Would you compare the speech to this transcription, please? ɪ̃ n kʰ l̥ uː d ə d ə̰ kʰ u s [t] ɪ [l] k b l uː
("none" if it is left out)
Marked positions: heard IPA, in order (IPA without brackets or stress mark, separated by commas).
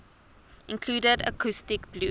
t, none